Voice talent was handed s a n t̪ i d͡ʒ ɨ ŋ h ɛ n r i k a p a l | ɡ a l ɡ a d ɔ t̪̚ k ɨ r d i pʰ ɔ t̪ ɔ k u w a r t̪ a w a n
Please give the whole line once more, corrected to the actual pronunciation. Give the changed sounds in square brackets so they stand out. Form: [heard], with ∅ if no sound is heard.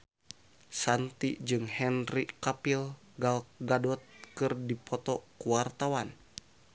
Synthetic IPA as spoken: s a n t̪ i d͡ʒ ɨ ŋ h ɛ n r i k a p [i] l | ɡ a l ɡ a d ɔ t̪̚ k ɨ r d i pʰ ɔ t̪ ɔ k u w a r t̪ a w a n